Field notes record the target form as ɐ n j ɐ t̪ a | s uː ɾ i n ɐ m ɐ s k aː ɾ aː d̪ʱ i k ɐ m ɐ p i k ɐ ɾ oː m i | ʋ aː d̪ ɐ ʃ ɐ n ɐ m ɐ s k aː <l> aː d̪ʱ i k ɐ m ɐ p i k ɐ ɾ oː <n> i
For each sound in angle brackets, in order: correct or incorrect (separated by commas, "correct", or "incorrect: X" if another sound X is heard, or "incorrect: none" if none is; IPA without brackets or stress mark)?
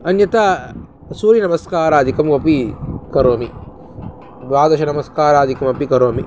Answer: incorrect: ɾ, incorrect: m